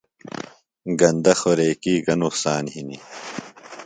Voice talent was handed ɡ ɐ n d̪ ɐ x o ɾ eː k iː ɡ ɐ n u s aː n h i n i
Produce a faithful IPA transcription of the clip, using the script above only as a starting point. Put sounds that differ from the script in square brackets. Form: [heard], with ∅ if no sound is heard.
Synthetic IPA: ɡ ɐ n d̪ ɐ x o ɾ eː k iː ɡ ɐ n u s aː n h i n i